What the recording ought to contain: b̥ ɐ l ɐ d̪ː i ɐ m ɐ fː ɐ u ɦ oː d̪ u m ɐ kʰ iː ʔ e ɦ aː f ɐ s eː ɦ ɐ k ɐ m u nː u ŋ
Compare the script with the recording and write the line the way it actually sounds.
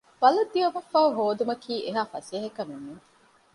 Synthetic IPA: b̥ ɐ l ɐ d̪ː i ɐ m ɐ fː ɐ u ɦ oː d̪ u m ɐ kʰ iː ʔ e ɦ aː f ɐ s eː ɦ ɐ k ɐ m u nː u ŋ